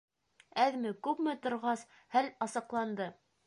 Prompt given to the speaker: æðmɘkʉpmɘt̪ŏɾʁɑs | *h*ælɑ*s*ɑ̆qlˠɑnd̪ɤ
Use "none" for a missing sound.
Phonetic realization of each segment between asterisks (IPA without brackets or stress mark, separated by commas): h, s